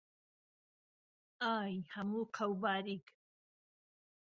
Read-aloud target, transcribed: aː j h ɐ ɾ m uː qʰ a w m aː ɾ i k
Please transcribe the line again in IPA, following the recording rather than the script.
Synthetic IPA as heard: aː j h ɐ m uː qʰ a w b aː ɾ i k